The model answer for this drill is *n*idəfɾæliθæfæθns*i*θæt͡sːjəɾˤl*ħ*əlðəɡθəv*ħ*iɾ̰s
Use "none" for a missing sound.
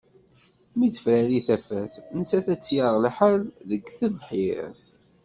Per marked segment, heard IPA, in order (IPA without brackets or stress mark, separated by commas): m, æ, ħ, ħ